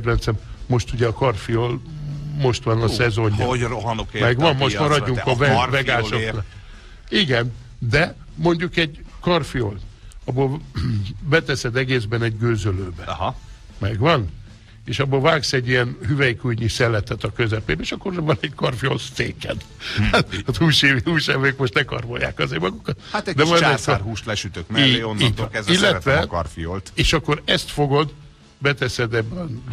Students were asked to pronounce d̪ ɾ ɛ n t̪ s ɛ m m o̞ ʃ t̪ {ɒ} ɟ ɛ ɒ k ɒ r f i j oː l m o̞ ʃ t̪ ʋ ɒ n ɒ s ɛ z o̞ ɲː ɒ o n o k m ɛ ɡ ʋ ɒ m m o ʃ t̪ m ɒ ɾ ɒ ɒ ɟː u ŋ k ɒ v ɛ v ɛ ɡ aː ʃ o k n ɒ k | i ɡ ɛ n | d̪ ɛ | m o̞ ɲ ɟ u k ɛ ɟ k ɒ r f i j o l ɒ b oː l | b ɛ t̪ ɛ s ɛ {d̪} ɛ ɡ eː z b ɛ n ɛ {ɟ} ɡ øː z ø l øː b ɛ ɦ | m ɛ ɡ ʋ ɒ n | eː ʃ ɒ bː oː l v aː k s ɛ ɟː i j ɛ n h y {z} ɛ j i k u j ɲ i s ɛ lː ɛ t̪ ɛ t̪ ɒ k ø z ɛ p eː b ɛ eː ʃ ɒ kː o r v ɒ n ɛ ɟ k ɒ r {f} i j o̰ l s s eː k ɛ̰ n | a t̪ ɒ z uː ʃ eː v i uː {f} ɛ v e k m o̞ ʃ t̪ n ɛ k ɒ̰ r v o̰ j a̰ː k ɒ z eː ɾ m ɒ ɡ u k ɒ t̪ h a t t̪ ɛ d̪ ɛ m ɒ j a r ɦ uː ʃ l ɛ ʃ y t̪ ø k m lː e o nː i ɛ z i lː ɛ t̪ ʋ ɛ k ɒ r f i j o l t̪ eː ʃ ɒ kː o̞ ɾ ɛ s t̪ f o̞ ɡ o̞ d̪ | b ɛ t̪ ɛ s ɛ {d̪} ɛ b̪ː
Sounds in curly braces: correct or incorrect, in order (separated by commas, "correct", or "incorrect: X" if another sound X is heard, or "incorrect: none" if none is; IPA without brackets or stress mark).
incorrect: u, correct, correct, incorrect: v, correct, incorrect: ʃ, correct